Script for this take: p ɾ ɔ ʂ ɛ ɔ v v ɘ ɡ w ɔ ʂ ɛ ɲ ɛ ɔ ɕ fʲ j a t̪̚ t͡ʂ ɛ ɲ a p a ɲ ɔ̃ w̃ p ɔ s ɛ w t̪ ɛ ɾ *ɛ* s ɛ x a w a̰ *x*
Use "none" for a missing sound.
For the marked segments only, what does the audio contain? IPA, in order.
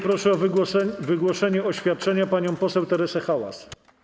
ɛ, s

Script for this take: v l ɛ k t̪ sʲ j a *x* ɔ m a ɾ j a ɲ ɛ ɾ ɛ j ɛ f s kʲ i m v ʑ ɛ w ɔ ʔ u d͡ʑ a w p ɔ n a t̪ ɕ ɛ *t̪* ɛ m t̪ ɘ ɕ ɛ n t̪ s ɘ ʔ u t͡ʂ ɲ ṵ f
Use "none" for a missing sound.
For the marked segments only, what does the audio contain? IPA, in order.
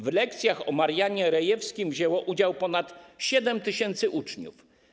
x, d̪

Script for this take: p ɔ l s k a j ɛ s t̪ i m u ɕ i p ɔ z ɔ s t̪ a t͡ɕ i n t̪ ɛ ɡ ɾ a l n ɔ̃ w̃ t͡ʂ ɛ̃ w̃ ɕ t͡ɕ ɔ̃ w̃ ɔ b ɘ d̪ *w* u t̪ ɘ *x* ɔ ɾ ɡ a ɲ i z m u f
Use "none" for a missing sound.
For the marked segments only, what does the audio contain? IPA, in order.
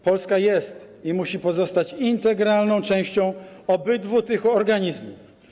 v, x

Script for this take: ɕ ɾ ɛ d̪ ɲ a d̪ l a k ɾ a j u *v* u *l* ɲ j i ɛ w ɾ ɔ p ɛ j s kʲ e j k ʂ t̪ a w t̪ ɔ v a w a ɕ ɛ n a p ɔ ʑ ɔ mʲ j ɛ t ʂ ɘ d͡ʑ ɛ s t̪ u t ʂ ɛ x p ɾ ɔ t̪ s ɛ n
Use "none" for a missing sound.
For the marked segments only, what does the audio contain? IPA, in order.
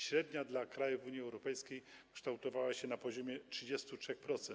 v, none

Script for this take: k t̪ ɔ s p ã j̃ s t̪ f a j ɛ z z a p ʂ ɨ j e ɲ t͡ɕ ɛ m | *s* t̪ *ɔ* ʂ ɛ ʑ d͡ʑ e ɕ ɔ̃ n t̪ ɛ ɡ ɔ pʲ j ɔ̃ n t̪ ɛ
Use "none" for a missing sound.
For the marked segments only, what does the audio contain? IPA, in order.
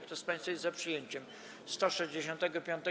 s, ɔ

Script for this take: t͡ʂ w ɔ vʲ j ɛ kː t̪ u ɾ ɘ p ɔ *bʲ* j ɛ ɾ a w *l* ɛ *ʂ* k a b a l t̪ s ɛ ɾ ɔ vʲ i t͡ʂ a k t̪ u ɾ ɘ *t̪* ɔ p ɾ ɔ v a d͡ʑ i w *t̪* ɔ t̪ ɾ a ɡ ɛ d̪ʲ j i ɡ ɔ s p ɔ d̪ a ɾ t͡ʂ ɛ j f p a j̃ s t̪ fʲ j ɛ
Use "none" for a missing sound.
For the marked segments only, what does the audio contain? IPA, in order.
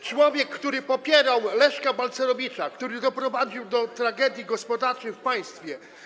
pʲ, l, ʂ, d̪, d̪

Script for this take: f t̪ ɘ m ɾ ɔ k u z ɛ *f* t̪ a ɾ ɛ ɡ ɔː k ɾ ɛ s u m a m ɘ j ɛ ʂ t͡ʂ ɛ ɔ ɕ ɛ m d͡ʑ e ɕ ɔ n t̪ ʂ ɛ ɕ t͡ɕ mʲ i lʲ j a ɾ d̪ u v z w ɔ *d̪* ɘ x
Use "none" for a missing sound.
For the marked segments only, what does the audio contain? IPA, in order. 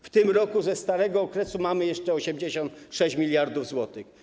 s, t̪

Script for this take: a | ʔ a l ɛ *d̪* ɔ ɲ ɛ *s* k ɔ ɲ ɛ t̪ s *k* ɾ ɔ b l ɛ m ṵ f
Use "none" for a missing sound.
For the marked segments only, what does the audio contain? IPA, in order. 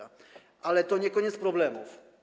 t̪, none, p

